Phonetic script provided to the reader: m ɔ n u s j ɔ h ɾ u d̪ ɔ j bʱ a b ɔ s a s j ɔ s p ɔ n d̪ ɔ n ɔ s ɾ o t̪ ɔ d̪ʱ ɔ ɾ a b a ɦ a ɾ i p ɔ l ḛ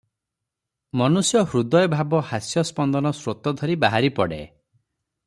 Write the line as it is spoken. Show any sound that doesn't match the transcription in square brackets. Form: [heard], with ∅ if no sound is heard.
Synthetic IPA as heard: m ɔ n u s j ɔ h ɾ u d̪ ɔ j bʱ a b ɔ [h] a s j ɔ s p ɔ n d̪ ɔ n ɔ s ɾ o t̪ ɔ d̪ʱ ɔ ɾ [i] b a ɦ a ɾ i p ɔ [ɽ] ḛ